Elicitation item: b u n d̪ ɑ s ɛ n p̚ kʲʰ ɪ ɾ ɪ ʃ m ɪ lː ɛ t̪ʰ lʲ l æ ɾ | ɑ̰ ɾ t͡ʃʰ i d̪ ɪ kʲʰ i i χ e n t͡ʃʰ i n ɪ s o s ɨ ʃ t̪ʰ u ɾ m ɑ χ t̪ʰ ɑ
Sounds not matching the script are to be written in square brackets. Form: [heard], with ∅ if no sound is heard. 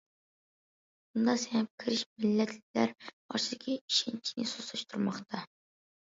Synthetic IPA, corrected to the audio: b u n d̪ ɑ s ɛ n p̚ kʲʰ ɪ ɾ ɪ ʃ m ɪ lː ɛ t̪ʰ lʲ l æ ɾ | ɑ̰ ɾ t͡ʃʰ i d̪ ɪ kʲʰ i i [ʃ] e n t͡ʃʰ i n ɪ s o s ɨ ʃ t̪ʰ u ɾ m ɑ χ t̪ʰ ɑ